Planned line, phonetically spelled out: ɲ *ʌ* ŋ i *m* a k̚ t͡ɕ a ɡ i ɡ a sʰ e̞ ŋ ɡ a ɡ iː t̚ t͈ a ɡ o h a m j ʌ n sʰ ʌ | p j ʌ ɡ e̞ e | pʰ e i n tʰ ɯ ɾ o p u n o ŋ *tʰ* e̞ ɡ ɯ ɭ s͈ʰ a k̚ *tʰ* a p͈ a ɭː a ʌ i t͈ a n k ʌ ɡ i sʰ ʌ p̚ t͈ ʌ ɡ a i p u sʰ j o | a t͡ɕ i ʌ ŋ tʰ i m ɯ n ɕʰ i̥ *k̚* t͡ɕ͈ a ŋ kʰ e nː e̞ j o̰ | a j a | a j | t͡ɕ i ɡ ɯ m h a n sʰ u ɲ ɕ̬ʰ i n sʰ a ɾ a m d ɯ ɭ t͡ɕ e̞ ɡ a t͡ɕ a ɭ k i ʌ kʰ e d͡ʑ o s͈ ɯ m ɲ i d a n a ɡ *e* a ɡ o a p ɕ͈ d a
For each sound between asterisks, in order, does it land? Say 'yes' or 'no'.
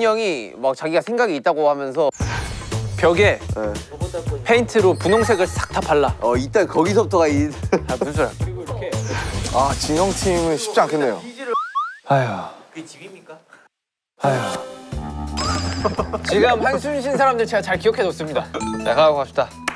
yes, yes, no, yes, no, no

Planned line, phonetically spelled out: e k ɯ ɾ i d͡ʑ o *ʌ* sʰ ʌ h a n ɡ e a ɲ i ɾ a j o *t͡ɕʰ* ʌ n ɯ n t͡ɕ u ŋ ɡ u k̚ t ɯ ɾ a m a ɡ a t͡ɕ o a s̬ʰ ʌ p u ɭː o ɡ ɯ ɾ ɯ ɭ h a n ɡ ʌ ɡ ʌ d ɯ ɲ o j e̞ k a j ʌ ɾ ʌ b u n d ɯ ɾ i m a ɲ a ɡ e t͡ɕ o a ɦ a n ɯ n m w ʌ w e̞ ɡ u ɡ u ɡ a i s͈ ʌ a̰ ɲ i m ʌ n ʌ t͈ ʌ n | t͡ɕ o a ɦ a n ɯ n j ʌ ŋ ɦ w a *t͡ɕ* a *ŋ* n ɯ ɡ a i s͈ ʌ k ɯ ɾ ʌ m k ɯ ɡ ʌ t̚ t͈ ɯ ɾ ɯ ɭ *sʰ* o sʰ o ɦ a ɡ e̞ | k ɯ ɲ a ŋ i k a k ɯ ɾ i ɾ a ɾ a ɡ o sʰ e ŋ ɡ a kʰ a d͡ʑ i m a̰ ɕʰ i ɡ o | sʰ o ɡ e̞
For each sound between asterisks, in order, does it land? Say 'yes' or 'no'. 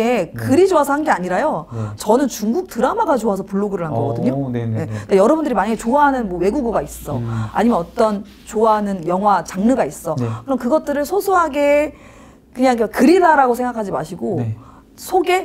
no, no, yes, yes, yes

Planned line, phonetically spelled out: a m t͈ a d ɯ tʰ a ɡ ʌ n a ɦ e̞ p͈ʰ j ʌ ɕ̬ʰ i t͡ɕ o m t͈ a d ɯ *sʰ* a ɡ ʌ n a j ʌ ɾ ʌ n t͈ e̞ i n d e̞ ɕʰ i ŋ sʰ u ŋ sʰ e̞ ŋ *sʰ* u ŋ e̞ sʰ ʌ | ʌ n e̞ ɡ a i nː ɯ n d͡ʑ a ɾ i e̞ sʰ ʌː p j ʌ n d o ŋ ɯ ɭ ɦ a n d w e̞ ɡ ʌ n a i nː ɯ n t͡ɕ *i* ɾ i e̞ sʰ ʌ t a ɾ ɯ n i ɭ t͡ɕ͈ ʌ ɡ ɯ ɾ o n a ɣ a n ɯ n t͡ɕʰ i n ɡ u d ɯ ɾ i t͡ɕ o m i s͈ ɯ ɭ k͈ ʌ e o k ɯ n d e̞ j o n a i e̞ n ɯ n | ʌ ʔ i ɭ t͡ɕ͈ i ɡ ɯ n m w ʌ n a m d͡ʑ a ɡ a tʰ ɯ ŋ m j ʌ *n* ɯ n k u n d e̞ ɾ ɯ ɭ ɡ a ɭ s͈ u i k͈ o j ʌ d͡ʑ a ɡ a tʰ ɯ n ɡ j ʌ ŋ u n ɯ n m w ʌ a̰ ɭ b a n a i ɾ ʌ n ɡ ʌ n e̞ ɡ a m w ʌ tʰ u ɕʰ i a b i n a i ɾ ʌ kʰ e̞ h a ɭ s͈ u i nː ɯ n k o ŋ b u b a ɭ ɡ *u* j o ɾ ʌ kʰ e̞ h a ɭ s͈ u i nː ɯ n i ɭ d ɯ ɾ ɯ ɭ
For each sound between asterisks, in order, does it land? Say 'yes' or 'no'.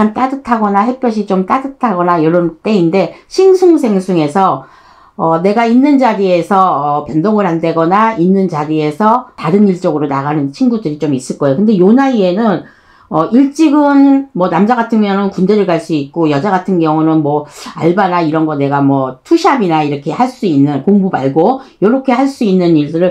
no, yes, no, no, no

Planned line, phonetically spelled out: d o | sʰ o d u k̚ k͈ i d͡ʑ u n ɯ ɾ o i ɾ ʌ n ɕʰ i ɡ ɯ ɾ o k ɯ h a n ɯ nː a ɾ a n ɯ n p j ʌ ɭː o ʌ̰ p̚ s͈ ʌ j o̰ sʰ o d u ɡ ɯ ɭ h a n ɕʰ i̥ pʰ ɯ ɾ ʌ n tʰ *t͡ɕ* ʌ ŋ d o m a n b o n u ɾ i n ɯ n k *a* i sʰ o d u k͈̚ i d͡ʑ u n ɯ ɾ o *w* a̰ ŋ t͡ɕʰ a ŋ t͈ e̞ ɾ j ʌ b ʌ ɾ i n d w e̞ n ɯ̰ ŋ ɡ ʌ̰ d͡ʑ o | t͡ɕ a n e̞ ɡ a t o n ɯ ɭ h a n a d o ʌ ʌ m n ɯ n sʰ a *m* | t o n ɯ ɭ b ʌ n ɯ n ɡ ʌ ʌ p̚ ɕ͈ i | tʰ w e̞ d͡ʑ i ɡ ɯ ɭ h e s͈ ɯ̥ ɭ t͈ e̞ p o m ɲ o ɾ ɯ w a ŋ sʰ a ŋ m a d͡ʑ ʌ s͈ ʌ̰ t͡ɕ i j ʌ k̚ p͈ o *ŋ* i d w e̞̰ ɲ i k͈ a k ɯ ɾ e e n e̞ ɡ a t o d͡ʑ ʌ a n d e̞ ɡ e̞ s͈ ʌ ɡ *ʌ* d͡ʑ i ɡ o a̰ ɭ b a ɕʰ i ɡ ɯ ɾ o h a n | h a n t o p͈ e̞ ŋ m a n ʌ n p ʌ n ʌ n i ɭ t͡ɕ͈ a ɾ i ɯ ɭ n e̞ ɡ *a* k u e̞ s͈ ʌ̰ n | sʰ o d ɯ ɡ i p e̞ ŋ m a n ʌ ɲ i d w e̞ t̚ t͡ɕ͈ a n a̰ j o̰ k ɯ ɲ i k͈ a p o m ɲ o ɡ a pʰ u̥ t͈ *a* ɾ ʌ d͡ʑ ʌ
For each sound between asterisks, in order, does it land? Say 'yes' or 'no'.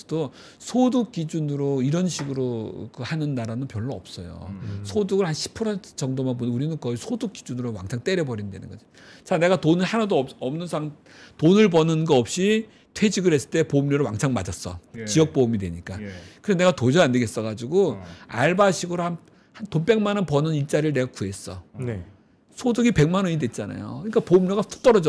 yes, no, yes, no, no, no, yes, no

